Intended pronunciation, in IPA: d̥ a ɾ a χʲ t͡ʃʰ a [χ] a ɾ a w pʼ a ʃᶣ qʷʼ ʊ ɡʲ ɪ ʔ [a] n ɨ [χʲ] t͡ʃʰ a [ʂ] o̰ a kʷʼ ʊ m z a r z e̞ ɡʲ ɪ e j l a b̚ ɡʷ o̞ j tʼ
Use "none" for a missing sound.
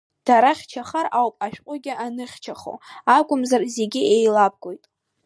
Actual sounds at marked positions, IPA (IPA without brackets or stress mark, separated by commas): χ, a, χʲ, χ